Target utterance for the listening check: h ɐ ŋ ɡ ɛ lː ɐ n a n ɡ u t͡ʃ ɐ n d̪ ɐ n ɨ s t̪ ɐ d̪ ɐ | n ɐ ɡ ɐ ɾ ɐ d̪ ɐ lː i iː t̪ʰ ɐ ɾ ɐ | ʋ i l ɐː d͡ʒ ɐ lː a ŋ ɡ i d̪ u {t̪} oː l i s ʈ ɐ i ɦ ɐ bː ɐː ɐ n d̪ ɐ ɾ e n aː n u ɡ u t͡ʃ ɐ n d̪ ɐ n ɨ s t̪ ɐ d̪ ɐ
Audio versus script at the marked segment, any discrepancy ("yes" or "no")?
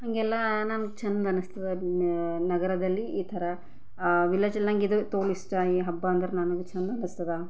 no